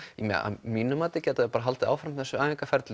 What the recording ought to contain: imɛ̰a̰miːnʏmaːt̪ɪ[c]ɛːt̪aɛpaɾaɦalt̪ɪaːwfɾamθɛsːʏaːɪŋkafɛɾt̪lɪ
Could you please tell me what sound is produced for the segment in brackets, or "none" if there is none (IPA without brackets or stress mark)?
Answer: c